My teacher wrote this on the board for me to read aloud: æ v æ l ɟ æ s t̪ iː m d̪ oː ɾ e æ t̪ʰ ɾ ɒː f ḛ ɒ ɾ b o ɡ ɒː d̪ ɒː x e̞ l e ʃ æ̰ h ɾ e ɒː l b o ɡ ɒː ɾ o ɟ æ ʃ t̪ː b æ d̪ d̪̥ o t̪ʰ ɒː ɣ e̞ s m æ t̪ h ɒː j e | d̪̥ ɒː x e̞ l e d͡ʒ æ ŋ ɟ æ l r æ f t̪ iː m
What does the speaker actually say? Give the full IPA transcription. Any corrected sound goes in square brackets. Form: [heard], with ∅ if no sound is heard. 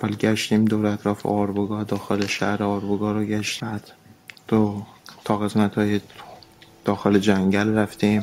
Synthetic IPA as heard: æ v æ l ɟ æ [ʃ] t̪ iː m d̪ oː ɾ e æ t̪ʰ ɾ ɒː f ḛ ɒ ɾ b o ɡ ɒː d̪ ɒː x e̞ l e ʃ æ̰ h ɾ e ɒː [ɾ] b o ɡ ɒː ɾ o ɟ æ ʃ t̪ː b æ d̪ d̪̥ o t̪ʰ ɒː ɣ e̞ s m æ t̪ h ɒː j e | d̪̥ ɒː x e̞ l e d͡ʒ æ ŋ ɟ æ l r æ f t̪ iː m